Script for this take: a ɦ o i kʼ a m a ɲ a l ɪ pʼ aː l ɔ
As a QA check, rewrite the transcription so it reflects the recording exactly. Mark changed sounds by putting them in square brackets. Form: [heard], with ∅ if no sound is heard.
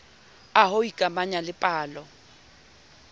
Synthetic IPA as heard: a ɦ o i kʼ a m a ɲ a l ɪ pʼ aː l ɔ